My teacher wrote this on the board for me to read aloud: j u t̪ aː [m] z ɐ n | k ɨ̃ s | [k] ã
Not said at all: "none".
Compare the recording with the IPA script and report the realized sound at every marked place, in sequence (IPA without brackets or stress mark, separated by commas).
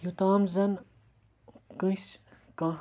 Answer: m, k